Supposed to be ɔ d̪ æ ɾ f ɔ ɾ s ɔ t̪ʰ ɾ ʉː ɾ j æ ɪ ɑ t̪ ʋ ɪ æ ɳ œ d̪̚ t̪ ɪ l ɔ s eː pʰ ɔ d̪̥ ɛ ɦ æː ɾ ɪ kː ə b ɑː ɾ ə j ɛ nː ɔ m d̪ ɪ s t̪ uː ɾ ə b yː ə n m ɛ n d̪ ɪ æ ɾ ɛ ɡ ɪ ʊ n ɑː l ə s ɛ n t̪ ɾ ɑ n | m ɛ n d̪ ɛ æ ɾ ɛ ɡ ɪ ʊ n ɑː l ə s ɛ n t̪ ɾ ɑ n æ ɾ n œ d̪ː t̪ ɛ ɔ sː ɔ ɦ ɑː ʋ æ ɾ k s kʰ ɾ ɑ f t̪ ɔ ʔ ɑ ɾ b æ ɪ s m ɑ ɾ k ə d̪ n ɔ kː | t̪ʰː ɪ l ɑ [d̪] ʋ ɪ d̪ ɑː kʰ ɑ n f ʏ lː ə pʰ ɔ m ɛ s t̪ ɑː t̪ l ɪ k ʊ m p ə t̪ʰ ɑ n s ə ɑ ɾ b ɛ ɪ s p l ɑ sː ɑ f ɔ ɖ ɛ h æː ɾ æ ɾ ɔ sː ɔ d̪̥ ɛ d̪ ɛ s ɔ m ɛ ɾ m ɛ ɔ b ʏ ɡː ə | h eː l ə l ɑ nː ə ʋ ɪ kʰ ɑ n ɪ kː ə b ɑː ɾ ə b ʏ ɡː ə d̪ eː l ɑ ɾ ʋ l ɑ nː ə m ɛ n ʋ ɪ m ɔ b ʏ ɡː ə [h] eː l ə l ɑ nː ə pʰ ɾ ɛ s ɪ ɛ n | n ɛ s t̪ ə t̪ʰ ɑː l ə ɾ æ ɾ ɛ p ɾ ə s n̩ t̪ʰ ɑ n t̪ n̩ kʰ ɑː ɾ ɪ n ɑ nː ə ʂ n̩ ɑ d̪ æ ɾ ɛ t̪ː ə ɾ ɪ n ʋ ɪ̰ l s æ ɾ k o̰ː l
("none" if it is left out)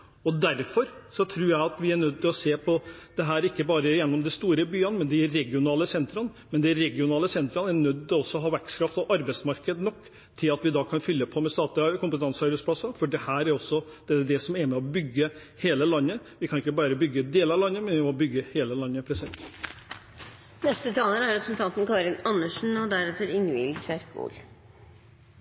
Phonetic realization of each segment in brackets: t̪, h

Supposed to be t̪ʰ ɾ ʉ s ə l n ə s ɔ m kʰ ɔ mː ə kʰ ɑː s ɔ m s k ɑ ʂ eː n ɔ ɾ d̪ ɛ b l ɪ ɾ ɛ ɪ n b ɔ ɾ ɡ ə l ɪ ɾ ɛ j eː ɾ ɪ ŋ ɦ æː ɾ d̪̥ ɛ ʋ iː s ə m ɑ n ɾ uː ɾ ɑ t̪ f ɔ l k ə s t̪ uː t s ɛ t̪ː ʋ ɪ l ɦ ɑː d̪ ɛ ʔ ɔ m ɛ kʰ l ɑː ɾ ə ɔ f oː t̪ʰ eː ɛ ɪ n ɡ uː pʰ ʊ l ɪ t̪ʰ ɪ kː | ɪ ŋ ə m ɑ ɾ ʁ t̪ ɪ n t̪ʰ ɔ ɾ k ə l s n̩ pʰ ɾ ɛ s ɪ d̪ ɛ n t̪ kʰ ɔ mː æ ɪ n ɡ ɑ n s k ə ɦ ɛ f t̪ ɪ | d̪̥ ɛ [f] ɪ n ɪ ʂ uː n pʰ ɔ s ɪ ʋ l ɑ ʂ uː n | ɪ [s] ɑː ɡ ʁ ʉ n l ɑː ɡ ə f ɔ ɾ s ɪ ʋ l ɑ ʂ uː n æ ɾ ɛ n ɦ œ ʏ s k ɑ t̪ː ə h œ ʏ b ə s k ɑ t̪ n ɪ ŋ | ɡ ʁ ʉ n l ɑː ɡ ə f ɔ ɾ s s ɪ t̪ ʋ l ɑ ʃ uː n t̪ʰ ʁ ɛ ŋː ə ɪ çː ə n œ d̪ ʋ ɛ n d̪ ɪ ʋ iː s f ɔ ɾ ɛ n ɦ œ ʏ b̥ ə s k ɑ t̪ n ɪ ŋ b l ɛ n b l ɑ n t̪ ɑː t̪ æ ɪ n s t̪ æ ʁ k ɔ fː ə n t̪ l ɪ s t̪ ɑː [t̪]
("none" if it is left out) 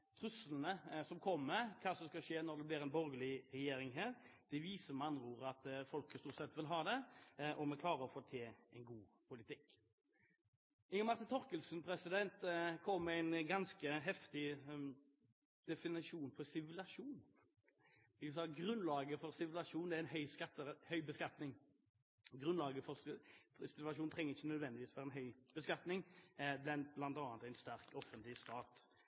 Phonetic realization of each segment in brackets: f, s, t̪

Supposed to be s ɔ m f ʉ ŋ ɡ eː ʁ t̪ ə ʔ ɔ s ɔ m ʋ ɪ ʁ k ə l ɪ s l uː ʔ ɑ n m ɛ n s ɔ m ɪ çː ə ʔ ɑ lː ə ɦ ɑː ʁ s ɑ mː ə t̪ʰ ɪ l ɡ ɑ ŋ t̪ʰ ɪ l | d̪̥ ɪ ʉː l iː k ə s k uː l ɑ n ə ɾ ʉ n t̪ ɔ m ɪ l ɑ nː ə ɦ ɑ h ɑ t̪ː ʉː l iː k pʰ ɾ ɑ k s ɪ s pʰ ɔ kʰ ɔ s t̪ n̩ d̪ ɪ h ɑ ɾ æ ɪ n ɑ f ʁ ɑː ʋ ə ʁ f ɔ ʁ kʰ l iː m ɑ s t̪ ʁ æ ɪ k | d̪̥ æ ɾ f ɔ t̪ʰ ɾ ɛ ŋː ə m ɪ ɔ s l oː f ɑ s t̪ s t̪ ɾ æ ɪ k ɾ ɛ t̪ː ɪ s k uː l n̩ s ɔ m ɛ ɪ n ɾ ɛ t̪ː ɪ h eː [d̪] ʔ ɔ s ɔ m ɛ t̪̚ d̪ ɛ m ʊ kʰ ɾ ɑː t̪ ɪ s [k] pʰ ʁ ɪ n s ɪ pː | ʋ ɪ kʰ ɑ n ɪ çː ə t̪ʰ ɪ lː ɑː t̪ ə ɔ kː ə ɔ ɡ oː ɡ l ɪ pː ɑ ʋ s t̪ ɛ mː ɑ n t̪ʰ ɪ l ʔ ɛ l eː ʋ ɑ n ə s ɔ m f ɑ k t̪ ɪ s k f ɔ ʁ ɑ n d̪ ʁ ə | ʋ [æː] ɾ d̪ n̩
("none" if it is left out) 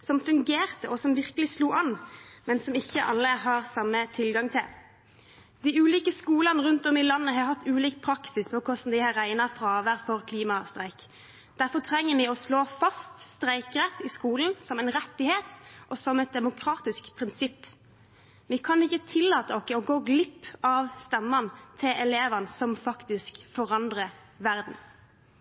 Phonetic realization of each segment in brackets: t̪, k, æ

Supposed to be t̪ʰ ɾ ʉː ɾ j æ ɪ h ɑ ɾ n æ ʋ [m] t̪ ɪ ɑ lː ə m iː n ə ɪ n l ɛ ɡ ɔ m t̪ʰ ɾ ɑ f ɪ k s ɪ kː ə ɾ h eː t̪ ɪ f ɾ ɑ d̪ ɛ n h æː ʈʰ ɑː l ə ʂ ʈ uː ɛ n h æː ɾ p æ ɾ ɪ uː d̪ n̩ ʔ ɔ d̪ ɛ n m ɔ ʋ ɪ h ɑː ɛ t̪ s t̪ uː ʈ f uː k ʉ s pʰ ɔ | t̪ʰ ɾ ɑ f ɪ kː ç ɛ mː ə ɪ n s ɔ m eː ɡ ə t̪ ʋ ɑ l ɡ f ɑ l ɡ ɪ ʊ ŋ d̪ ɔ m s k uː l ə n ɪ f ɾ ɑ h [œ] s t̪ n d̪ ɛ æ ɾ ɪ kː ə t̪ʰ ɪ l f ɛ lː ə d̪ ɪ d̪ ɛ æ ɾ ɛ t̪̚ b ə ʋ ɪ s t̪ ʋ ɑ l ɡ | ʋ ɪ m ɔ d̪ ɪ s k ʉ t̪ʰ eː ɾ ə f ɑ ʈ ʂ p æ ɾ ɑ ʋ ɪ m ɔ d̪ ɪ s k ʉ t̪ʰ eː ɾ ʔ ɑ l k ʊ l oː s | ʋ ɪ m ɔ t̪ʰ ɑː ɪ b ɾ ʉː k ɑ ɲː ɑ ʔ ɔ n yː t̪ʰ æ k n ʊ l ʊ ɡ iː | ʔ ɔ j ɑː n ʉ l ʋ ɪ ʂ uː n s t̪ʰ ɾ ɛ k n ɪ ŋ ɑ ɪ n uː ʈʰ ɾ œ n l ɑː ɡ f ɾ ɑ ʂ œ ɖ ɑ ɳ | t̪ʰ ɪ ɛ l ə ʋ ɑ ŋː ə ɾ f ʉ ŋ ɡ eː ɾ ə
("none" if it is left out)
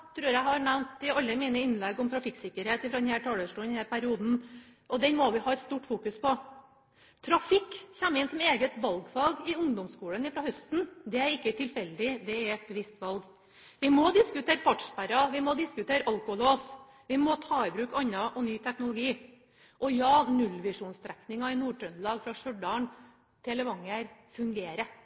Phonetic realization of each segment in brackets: n, œ

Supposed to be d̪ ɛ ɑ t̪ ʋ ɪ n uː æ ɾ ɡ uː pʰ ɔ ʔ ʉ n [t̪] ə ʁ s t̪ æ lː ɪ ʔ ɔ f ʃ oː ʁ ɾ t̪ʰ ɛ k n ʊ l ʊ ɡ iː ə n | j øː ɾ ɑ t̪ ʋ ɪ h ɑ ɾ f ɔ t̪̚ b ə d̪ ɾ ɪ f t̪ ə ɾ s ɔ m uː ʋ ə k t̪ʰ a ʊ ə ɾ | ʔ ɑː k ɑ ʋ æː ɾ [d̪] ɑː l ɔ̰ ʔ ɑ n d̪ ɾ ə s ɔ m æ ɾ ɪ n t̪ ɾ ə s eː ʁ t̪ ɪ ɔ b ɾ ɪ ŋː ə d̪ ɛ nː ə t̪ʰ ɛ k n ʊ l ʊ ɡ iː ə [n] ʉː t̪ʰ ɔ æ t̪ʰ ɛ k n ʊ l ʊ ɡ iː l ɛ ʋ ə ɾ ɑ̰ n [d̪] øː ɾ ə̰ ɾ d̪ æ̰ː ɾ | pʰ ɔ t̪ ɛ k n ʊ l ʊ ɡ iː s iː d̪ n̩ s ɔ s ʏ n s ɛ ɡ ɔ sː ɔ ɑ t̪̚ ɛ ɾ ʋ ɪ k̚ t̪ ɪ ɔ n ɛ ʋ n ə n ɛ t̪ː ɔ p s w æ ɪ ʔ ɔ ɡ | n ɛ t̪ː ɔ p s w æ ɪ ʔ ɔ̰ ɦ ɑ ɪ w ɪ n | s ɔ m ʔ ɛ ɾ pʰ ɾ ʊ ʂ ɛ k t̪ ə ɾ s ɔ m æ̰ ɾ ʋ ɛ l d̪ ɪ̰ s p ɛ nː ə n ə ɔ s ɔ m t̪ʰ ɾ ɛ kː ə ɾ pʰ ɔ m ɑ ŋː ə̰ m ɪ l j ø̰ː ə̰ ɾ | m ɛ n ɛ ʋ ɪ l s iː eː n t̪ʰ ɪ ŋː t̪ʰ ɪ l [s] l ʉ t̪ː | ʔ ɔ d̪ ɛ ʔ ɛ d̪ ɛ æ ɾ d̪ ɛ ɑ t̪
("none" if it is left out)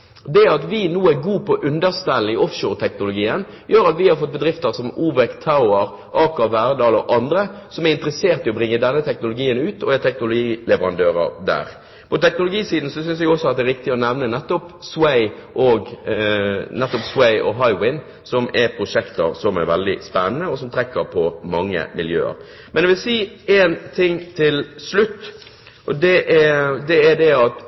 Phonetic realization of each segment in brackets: d̪, d̪, n, d̪, s

